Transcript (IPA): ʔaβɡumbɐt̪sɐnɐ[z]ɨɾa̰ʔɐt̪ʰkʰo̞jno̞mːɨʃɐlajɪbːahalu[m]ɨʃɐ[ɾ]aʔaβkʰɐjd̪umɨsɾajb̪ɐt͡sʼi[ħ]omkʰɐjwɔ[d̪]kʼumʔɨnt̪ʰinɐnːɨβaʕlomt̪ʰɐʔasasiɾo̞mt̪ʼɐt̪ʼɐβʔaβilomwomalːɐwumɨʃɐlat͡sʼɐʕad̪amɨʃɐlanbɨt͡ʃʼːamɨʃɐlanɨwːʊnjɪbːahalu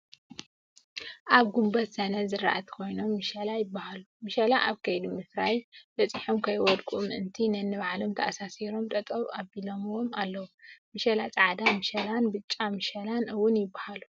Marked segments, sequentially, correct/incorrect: correct, correct, incorrect: l, correct, correct

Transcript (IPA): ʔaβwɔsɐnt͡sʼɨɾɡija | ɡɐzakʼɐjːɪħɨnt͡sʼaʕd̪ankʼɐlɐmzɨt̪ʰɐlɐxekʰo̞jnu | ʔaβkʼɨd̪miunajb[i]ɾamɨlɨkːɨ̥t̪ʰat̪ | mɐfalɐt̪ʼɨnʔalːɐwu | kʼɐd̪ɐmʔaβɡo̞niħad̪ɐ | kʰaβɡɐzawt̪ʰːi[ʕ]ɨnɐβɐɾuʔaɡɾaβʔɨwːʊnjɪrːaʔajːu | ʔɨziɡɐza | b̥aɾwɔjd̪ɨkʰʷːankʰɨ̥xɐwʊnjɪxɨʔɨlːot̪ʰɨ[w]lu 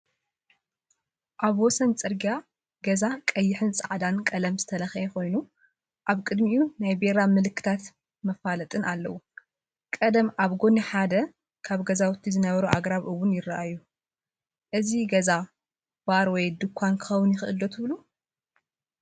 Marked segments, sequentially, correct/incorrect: incorrect: e, incorrect: z, incorrect: β

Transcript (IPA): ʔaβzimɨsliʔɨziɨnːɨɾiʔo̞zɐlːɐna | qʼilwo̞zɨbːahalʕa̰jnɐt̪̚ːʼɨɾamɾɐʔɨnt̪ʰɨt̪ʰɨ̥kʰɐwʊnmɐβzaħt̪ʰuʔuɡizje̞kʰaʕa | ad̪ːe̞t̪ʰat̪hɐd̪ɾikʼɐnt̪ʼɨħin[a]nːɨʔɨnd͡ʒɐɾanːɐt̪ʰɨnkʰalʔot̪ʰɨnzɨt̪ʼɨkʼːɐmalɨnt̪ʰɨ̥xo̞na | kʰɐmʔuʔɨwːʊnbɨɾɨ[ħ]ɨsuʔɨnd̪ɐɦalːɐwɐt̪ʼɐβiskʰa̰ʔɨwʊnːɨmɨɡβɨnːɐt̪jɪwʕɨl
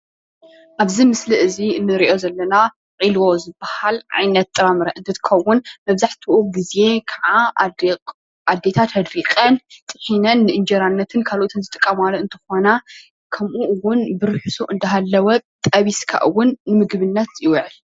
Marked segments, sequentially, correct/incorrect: incorrect: ɐ, correct

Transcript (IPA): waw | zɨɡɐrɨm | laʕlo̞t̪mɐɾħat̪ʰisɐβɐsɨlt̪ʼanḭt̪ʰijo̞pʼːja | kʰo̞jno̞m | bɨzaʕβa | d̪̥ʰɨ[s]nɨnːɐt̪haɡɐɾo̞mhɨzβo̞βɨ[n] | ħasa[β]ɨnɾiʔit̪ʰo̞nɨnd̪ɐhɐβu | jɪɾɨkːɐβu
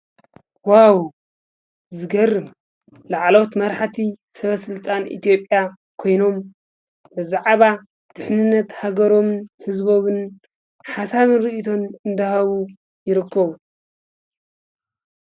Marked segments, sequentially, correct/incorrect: incorrect: ħ, correct, correct

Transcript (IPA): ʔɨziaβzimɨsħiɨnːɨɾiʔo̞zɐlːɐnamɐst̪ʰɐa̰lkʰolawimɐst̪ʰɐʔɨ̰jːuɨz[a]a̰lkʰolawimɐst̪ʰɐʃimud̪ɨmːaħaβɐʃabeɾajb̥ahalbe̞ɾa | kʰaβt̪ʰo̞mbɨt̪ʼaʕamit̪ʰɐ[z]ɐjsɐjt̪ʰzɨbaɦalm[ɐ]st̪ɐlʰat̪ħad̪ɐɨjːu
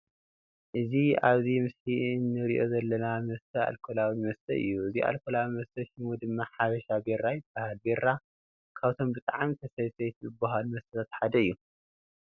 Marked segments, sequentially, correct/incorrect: incorrect: i, incorrect: s, correct

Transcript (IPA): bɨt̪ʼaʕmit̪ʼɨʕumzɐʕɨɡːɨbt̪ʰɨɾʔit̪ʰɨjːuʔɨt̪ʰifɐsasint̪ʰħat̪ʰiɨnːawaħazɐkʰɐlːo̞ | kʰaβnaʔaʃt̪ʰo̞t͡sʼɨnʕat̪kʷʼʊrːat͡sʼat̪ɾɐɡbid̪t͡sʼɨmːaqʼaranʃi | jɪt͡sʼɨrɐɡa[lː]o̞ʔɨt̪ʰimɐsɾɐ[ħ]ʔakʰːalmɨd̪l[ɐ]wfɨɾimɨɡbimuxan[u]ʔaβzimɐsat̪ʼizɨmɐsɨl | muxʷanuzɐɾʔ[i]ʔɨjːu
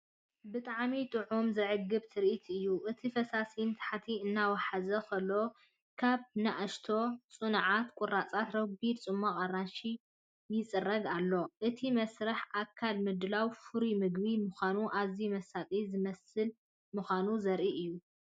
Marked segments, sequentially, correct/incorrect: correct, correct, incorrect: a, correct, correct

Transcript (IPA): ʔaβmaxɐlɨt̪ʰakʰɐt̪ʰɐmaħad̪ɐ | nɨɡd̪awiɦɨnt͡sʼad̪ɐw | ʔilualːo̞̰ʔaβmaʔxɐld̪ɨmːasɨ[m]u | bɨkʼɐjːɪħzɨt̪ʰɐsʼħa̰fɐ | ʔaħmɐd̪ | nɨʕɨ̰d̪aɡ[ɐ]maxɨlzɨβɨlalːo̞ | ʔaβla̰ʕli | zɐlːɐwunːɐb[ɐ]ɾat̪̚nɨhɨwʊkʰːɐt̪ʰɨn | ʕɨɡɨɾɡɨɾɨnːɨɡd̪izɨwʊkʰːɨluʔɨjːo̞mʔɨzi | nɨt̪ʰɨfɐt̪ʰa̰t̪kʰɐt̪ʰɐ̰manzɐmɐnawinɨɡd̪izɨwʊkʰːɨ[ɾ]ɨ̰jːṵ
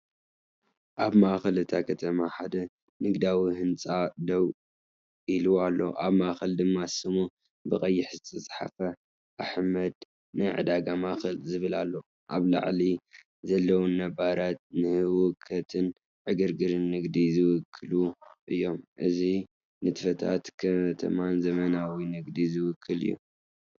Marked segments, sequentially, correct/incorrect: correct, incorrect: a, incorrect: a, incorrect: l

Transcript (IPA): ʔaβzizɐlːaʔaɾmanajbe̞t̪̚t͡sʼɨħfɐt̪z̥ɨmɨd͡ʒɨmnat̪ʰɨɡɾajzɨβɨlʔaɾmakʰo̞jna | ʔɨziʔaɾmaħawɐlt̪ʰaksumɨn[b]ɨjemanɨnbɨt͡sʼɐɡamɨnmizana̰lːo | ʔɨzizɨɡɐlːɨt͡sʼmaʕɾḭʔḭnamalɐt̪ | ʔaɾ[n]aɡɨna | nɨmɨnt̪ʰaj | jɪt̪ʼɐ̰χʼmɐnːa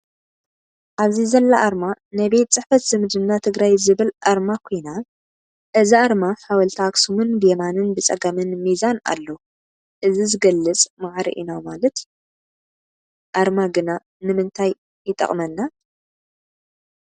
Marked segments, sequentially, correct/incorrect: correct, incorrect: m

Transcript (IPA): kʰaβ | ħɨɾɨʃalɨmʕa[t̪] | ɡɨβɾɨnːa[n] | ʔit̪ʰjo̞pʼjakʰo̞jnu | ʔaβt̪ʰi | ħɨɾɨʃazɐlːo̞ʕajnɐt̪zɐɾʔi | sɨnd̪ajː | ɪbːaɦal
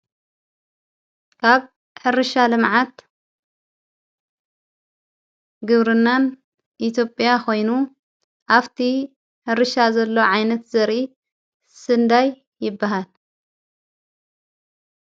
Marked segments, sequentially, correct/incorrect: correct, correct

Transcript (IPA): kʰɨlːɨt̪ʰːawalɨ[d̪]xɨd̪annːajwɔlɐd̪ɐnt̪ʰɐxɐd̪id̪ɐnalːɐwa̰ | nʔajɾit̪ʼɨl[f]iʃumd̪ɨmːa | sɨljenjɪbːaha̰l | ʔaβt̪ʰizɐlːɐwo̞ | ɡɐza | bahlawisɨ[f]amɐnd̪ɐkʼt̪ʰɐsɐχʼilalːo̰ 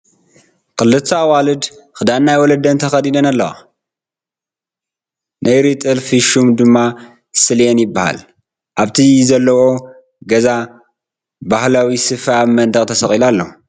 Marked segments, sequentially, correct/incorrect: correct, correct, correct

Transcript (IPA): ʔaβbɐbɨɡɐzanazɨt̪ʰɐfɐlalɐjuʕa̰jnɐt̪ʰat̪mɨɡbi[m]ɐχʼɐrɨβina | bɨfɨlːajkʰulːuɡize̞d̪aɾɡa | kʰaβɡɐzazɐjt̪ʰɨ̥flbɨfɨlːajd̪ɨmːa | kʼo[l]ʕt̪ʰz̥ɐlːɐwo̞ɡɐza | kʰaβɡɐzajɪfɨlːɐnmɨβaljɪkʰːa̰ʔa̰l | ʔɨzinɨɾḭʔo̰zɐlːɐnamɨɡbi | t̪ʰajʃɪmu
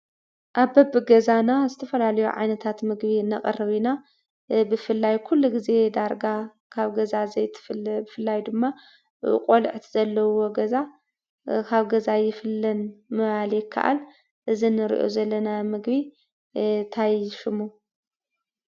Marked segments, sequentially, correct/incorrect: incorrect: n, correct

